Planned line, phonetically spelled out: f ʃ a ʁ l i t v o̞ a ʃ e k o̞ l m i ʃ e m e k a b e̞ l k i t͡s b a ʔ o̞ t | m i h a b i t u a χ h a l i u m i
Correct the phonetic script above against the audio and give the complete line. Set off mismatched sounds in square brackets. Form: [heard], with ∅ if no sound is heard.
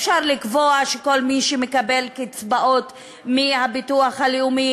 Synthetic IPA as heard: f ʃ a ʁ l i [k] v o̞ a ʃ e k o̞ l m i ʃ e m e k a b e̞ l k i t͡s b a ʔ o̞ t | m i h a b i t u a χ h a l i u m i